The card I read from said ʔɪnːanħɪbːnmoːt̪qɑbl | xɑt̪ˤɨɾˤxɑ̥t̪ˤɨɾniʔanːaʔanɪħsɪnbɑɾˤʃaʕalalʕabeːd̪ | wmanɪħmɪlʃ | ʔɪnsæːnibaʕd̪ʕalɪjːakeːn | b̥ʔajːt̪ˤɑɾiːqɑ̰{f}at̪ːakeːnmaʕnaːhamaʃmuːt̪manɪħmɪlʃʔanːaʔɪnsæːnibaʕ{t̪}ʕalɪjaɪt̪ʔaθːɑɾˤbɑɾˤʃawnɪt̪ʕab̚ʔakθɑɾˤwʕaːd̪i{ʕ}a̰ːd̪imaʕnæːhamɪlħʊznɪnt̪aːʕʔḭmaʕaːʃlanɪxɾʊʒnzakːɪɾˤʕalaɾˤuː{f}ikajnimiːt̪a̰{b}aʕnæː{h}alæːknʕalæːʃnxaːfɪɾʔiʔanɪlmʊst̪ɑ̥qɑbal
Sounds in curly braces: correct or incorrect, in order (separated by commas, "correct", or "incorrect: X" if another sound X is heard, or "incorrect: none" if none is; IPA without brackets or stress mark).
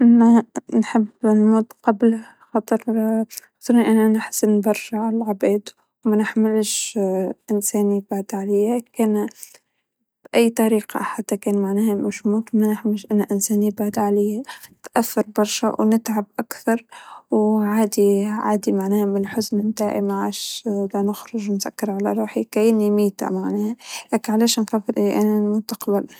incorrect: ħ, incorrect: d̪, correct, incorrect: ħ, incorrect: m, correct